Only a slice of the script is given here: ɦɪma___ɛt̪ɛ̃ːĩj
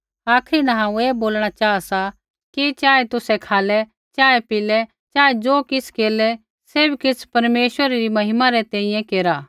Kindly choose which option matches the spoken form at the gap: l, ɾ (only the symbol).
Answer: ɾ